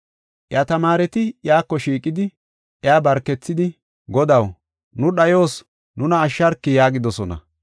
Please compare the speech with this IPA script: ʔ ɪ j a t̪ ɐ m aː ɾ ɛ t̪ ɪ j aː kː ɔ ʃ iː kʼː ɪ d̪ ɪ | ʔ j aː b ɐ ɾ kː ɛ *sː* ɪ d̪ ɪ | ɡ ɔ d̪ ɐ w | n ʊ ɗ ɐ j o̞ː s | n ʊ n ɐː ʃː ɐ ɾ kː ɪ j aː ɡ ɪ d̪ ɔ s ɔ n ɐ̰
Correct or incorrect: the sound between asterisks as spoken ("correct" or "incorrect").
incorrect